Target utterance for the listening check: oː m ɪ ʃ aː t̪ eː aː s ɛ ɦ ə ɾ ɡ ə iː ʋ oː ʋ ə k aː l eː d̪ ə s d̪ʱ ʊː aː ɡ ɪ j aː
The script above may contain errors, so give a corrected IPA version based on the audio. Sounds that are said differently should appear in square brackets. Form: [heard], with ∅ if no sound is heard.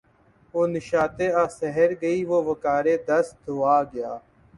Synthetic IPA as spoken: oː [n] ɪ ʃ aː t̪ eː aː s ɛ ɦ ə ɾ ɡ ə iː ʋ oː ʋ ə k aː [ɾ] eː d̪ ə s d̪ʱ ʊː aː ɡ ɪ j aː